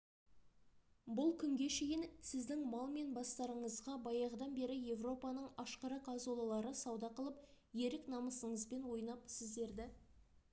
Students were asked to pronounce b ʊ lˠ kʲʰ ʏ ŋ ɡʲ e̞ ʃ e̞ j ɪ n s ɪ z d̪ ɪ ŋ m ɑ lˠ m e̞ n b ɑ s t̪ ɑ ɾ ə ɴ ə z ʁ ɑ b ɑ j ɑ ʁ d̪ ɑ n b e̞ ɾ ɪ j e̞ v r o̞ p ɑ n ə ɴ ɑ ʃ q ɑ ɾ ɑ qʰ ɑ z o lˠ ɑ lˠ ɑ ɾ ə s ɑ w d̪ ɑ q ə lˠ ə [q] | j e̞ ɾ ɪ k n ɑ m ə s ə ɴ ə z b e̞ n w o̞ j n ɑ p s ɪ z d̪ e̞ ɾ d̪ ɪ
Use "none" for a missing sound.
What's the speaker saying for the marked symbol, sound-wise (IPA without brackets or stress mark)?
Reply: p